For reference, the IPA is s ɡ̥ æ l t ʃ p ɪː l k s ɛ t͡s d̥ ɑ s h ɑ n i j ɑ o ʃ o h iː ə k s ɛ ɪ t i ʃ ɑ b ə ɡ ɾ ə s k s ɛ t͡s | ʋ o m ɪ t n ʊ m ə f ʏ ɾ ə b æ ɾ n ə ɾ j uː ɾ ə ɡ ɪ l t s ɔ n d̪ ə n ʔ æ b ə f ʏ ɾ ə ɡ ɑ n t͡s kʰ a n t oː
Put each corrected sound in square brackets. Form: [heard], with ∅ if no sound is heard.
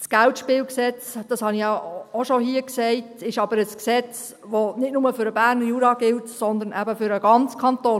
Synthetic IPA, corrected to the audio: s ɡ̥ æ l t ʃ p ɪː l k s ɛ t͡s d̥ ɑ s h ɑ n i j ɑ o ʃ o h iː ə k s ɛ ɪ t [ɪ] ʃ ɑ b ə [∅] ɾ ə s k s ɛ t͡s | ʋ o [n] ɪ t n ʊ m ə f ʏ ɾ ə b æ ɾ n ə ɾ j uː ɾ [ɑ] ɡ ɪ l t s ɔ n d̪ ə n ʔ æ b ə f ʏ ɾ ə ɡ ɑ n t͡s kʰ [ɑ] n t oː